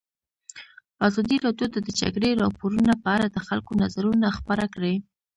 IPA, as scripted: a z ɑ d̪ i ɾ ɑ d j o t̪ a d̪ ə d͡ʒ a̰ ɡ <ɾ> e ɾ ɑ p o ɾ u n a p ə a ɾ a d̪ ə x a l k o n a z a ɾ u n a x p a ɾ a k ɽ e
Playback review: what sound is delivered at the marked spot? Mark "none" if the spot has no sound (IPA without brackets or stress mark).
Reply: ɽ